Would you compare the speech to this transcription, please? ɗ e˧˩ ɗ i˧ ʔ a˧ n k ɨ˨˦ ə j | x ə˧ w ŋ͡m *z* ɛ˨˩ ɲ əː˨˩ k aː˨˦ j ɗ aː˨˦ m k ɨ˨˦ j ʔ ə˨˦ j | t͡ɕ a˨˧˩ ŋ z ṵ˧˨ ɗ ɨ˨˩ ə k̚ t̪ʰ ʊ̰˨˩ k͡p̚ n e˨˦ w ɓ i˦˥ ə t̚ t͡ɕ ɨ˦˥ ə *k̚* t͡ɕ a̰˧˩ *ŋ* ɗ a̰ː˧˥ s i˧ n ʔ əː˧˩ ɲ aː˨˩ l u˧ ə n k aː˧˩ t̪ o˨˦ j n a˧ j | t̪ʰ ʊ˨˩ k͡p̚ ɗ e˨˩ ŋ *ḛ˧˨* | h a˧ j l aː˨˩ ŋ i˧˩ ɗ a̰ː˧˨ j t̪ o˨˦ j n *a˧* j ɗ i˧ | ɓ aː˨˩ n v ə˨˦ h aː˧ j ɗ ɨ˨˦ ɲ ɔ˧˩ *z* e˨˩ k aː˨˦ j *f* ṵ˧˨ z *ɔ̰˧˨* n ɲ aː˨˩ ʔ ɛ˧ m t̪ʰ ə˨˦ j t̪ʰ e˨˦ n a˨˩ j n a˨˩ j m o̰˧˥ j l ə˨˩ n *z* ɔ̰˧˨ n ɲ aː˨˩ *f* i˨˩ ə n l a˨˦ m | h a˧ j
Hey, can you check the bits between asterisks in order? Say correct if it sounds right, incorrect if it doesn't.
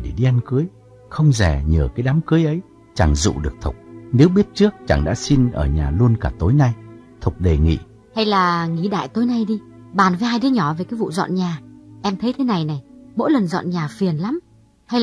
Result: correct, correct, correct, incorrect: ḭ˧˨, correct, incorrect: v, incorrect: v, correct, correct, correct

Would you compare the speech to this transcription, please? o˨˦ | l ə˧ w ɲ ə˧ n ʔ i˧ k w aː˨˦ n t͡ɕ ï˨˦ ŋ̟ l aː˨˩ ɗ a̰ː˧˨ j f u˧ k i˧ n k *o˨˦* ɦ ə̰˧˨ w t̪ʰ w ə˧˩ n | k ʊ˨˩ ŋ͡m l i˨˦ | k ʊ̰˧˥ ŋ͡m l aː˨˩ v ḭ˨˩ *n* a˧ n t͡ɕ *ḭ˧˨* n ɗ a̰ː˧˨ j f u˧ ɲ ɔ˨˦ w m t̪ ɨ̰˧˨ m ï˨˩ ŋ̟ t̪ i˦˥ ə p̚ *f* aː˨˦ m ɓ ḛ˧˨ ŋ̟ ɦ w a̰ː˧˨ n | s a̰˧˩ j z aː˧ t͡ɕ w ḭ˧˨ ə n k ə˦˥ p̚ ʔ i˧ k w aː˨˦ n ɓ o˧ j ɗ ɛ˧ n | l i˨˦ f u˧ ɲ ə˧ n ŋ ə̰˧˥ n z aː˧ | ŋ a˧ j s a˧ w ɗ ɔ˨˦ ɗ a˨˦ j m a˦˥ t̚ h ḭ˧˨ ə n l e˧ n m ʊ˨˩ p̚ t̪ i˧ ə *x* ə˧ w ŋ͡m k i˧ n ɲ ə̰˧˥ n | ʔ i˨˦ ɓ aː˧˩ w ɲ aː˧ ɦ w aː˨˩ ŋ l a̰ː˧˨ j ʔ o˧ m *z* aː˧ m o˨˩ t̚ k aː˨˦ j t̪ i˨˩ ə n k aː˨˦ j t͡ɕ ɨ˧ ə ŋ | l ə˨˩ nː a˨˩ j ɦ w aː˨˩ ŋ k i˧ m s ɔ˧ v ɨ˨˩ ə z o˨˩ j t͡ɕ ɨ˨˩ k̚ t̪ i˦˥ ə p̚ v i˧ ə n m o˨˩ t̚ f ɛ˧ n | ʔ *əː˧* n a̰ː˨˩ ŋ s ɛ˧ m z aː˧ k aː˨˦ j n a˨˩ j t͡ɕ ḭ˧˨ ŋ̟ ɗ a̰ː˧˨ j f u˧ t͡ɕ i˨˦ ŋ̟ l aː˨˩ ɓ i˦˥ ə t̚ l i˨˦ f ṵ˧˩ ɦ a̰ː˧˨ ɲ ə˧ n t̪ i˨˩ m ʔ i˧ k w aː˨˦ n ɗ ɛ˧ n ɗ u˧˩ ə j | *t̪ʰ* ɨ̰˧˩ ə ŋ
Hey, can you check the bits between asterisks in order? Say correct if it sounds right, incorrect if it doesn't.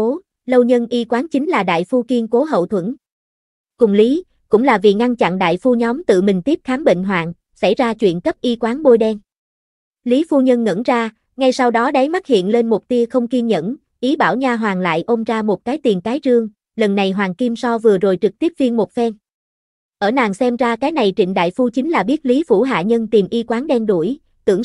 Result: correct, incorrect: ŋ, incorrect: a̰˧˨, incorrect: x, correct, correct, incorrect: əː˧˩, incorrect: t̪

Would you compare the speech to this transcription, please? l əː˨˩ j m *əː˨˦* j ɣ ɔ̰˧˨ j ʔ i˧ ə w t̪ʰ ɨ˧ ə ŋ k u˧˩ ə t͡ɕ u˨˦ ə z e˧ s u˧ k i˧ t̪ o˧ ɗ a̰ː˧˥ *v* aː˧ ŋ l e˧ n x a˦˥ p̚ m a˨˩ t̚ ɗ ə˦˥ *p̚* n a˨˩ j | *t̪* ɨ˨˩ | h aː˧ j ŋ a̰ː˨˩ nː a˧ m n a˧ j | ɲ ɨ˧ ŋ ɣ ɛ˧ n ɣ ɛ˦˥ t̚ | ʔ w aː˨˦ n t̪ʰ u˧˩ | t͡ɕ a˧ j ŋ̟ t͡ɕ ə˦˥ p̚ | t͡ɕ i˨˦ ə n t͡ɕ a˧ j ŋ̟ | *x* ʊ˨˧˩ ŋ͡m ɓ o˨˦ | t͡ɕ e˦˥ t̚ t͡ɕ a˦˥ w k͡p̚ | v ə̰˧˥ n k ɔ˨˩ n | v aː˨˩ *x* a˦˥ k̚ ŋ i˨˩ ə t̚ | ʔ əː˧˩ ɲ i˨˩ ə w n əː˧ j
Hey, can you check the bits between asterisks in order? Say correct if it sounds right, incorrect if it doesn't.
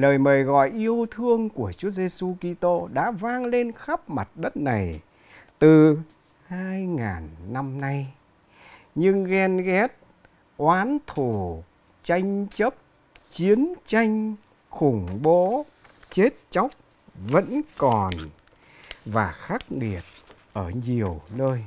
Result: incorrect: əː˨˩, correct, incorrect: t̚, correct, correct, correct

